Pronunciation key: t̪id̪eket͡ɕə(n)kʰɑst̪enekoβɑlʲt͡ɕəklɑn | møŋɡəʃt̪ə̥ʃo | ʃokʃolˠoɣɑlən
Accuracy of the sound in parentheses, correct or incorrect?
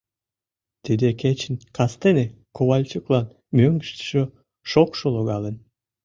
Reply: correct